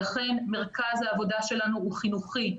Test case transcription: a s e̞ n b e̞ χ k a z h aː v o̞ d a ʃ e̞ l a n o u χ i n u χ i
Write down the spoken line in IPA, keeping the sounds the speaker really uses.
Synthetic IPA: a χ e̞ n m e̞ ʁ k a z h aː v o̞ d a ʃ e̞ l a n u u χ i n u χ i